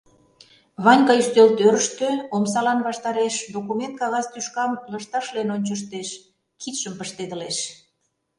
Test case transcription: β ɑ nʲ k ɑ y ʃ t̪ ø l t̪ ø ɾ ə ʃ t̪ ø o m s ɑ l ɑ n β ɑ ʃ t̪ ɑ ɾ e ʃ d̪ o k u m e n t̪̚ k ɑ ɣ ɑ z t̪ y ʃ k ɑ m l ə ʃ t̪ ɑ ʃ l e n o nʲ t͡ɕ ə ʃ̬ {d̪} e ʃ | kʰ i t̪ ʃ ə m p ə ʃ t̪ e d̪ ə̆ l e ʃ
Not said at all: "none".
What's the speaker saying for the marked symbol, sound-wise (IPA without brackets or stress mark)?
t̪